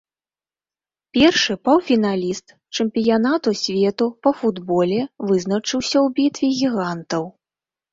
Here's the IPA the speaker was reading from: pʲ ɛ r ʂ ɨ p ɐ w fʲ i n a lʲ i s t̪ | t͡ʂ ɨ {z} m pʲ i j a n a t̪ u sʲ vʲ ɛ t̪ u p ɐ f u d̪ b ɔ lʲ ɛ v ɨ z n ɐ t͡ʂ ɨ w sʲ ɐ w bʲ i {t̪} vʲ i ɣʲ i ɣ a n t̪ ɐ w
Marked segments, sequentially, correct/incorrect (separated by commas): incorrect, correct